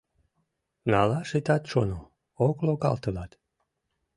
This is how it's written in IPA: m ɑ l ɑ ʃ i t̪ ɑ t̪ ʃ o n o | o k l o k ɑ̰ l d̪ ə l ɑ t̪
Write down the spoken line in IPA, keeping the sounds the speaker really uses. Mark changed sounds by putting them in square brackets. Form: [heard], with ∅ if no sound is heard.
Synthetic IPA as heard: [n] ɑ l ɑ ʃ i t̪ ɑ t̪ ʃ o n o | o k l o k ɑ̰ l [t̪] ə l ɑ t̪